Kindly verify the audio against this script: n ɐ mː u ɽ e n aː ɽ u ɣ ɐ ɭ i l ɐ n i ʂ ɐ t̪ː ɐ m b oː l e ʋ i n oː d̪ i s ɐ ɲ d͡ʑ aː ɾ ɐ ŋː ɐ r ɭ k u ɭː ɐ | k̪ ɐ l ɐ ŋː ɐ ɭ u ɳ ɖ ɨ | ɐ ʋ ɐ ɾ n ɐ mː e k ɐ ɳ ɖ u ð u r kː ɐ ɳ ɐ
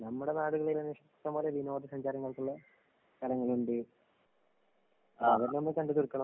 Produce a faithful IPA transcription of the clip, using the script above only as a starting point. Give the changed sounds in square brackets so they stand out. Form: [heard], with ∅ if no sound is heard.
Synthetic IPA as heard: n ɐ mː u ɽ e n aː ɽ u ɣ ɐ ɭ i l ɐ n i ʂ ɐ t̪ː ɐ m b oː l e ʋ i n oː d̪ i s ɐ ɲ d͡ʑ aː ɾ ɐ ŋː ɐ [∅] ɭ k u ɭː ɐ | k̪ ɐ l ɐ ŋː ɐ ɭ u ɳ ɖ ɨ | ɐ ʋ ɐ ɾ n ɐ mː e k ɐ ɳ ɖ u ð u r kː ɐ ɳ ɐ

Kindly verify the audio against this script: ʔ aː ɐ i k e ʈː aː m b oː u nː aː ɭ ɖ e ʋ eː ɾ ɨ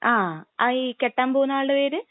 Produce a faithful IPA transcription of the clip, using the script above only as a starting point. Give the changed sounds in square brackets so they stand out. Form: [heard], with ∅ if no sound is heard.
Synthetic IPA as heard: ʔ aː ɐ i k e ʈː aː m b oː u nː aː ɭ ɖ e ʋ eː ɾ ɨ

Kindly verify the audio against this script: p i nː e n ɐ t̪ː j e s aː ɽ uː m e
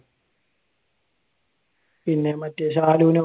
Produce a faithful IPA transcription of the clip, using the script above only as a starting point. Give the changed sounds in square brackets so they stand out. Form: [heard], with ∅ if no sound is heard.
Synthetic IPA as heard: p i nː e [m] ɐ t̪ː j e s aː [l] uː [n] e

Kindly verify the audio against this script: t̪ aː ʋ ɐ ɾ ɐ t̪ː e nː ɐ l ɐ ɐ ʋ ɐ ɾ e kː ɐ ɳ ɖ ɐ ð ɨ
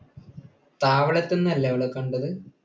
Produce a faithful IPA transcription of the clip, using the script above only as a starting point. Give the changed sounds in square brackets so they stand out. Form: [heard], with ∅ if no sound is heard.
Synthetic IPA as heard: t̪ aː ʋ ɐ [ɭ] ɐ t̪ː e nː ɐ [lː] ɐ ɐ ʋ ɐ [ɭ] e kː ɐ ɳ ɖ ɐ ð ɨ

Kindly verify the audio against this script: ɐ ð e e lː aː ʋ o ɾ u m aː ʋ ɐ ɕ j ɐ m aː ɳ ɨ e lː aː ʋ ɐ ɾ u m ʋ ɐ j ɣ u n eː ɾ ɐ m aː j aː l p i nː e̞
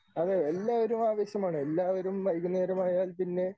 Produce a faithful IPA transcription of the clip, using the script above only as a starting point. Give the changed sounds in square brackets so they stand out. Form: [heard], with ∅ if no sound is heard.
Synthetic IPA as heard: ɐ ð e e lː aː ʋ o ɾ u m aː ʋ ɐ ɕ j ɐ m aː ɳ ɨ e lː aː ʋ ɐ ɾ u m ʋ ɐ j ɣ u n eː ɾ ɐ m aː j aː l p i nː e̞

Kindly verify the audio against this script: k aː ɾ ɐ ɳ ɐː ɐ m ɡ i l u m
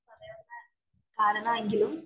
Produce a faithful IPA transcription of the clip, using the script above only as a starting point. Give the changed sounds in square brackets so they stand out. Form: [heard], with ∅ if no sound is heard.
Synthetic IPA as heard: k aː ɾ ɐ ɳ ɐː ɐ [ŋ] ɡ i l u m

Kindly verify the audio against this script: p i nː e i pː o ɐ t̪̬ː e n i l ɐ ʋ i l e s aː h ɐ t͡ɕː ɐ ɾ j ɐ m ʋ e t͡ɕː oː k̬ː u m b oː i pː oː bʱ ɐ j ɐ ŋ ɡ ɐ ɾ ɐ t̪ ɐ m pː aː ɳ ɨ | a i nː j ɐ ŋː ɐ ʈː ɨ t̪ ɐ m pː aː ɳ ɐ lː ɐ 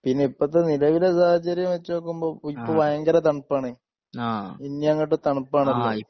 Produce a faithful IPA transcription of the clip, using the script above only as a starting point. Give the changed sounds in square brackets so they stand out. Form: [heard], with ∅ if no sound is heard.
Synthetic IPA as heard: p i nː e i pː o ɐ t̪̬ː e n i l ɐ ʋ i l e s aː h ɐ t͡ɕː ɐ ɾ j ɐ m ʋ e t͡ɕː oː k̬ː u m b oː i pː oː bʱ ɐ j ɐ ŋ ɡ ɐ ɾ ɐ t̪ ɐ [ɳ] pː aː ɳ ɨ | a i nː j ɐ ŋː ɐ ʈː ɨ t̪ ɐ [ɳ] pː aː ɳ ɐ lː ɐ

